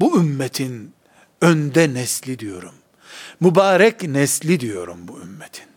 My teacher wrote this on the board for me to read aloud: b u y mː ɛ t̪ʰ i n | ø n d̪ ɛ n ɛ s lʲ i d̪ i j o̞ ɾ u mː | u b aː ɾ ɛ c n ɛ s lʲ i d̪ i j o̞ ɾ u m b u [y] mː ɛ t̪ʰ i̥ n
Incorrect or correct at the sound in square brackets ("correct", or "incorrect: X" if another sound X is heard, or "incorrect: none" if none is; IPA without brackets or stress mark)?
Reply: correct